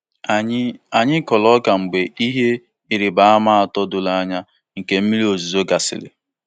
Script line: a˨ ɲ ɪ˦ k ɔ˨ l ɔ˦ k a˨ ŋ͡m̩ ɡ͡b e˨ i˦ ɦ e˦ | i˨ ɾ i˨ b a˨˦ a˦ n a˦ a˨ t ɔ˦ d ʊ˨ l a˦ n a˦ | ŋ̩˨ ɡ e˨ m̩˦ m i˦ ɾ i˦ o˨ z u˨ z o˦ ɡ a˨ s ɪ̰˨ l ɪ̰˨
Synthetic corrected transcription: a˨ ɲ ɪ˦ k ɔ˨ l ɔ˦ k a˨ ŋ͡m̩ ɡ͡b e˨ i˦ ɦ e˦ | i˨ ɾ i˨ b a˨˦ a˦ m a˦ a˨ t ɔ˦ d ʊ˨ l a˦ ɲ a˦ | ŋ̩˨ k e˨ m̩˦ m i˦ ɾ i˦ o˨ z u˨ z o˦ ɡ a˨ s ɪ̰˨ l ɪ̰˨